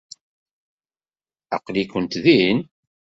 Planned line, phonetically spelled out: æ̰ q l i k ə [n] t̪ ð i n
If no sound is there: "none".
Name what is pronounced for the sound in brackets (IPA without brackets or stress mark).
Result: n